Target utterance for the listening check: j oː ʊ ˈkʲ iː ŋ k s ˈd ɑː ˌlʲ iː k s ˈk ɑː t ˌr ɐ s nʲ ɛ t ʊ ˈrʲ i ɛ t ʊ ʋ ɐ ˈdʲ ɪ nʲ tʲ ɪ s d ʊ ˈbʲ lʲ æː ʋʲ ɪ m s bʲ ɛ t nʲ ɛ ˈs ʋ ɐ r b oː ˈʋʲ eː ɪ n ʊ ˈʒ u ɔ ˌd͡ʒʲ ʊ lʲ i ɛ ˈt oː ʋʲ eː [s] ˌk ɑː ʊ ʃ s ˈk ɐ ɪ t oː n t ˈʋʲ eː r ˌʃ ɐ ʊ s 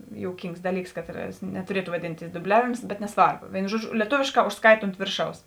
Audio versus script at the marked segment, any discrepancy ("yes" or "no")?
yes